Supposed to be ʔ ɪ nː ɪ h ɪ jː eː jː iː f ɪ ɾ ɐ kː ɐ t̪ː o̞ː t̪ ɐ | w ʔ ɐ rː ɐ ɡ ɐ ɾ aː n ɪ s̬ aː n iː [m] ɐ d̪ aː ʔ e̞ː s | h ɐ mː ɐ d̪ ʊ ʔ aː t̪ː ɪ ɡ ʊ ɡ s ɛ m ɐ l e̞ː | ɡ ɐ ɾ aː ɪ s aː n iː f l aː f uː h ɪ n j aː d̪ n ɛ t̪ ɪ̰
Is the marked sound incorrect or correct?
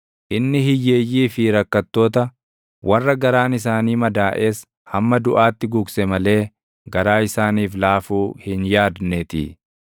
correct